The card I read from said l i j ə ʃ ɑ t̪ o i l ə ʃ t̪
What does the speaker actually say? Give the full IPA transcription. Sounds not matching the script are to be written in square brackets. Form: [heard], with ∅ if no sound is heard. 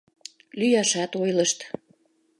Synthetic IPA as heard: l [y] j [ɑ] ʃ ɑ t̪ o [j] l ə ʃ t̪